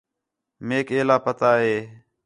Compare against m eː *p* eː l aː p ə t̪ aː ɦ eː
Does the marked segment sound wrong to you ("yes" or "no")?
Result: yes